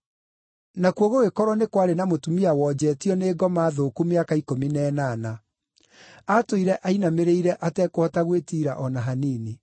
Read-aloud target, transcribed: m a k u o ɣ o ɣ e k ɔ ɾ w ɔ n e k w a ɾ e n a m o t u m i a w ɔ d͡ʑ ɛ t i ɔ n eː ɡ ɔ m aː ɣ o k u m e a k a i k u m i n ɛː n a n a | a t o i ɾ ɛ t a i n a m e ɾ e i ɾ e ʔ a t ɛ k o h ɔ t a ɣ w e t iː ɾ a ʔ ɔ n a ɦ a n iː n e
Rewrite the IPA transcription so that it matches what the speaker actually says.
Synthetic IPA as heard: n a k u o ɣ o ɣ e k ɔ ɾ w ɔ n e k w a ɾ e n a m o t u m i a w ɔ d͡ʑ ɛ t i ɔ n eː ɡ ɔ m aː ð o k u m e a k a i k o m i n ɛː n a n a | a t o i ɾ ɛ ʔ a i n a m e ɾ e i ɾ ɛ ʔ a t ɛ k o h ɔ t a ɣ w e t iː ɾ a ʔ ɔ n a ɦ a n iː n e